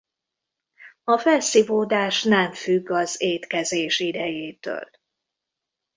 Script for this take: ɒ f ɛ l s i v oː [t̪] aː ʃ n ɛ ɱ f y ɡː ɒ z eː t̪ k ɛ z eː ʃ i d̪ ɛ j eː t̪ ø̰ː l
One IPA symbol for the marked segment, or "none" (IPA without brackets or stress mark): d̪